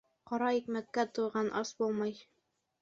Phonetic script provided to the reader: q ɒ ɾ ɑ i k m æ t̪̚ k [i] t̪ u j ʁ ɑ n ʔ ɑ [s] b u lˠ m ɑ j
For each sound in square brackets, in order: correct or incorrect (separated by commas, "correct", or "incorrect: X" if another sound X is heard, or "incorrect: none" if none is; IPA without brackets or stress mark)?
incorrect: æ, correct